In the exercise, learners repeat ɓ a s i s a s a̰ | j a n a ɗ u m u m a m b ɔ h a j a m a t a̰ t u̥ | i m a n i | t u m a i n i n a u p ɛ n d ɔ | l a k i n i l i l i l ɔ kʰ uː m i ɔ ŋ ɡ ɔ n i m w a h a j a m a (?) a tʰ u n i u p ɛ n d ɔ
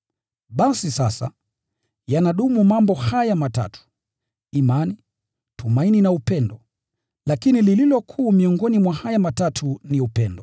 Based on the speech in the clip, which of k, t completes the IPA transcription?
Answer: t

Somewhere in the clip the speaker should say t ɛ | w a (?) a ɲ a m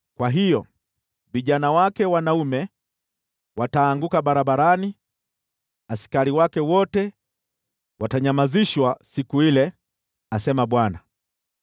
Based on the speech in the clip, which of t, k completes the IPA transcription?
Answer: t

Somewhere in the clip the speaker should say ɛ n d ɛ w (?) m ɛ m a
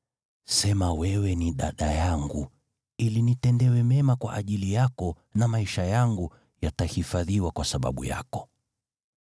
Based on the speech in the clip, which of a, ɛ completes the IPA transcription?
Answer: ɛ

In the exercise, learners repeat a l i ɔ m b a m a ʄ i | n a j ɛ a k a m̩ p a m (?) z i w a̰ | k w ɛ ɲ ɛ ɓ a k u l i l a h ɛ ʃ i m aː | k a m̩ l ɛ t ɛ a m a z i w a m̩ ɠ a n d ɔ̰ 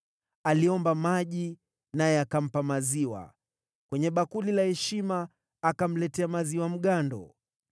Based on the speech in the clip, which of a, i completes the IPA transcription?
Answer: a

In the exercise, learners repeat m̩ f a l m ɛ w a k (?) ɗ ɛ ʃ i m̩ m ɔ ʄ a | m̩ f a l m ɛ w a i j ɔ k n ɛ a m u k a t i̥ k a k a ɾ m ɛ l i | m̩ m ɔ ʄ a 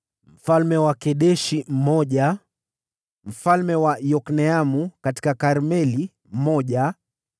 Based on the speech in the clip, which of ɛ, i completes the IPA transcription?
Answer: ɛ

